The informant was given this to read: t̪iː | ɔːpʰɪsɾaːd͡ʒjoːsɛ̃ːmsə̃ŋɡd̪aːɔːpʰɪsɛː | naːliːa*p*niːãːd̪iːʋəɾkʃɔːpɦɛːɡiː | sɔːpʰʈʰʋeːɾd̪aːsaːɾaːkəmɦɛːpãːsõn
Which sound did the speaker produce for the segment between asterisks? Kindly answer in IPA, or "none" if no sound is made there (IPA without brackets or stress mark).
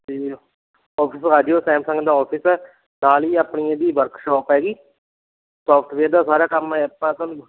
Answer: p